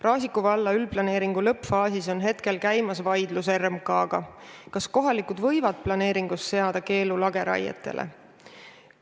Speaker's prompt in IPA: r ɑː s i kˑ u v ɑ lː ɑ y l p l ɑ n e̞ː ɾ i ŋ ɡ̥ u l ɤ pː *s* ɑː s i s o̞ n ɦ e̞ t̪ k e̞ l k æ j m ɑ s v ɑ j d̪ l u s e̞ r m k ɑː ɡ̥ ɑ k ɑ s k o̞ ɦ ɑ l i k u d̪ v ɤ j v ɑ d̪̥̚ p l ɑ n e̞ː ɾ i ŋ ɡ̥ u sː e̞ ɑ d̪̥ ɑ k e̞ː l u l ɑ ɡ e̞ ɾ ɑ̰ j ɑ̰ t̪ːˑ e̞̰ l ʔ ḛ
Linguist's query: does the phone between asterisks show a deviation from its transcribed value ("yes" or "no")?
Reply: yes